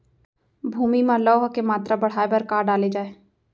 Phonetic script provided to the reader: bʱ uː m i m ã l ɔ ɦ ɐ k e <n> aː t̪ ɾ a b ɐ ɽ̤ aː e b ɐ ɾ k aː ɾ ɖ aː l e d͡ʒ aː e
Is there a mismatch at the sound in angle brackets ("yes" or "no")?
yes